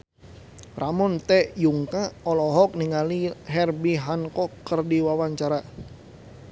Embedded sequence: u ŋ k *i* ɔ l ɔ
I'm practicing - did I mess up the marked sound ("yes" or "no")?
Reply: yes